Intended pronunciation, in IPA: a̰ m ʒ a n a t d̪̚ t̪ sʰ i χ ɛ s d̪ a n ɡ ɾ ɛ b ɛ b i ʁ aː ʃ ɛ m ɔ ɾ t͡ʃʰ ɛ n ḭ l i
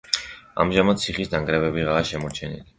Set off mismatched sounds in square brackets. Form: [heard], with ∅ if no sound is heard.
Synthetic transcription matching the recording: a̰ m ʒ a [m] a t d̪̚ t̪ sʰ i χ [i] s d̪ a [ŋ] ɡ ɾ ɛ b ɛ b i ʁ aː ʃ ɛ m ɔ ɾ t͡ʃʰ ɛ n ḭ l i